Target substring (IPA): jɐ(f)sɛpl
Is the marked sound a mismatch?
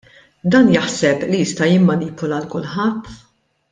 yes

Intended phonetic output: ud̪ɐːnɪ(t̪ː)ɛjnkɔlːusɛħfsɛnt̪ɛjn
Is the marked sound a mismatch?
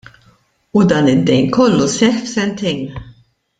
yes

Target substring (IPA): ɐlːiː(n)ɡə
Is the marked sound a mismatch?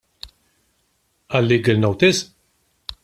yes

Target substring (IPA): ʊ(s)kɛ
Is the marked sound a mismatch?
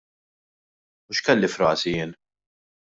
yes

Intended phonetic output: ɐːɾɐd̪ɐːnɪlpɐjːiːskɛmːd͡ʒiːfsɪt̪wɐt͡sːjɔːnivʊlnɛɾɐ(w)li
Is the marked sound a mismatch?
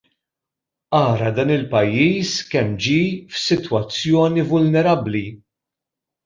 yes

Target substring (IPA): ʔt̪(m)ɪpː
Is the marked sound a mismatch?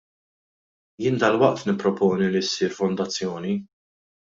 yes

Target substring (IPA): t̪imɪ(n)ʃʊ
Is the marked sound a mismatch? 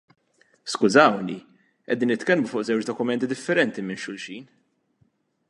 no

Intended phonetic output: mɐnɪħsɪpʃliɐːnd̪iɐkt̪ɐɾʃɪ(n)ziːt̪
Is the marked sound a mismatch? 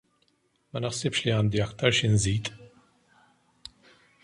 no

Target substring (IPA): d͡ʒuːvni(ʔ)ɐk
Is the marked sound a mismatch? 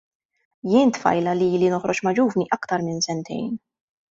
no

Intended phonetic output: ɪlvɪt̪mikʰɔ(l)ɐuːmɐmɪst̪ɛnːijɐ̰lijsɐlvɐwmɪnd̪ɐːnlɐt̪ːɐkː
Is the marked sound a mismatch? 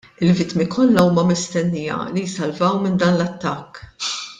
yes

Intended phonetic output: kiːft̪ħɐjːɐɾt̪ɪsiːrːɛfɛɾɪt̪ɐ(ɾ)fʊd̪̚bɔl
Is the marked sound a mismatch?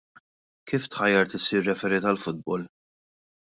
yes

